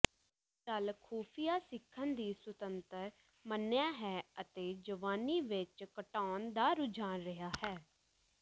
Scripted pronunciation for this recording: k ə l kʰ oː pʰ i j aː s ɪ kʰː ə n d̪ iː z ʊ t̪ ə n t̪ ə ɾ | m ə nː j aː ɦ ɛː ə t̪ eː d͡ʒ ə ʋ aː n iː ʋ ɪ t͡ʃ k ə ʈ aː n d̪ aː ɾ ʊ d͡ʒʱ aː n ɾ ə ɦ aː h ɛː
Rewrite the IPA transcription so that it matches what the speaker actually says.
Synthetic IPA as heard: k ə l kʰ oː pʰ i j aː s ɪ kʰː ə n d̪ iː s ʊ t̪ ə n t̪ ə ɾ | m ə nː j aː ɦ ɛː ə t̪ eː d͡ʒ ə ʋ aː n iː ʋ ɪ t͡ʃ k ə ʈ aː n d̪ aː ɾ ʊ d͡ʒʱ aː n ɾ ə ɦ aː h ɛː